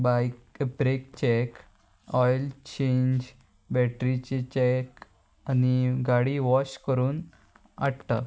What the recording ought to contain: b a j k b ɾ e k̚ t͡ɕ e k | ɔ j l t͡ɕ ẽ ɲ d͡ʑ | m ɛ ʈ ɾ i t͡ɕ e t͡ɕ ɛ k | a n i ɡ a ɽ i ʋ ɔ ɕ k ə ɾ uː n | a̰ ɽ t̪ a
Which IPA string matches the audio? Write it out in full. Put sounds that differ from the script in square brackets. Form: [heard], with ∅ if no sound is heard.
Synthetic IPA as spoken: b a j k b ɾ e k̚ t͡ɕ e k | ɔ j l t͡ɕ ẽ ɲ d͡ʑ | [b] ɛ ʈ ɾ i t͡ɕ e t͡ɕ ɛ k | a n i ɡ a ɽ i ʋ ɔ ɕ k ə ɾ uː n | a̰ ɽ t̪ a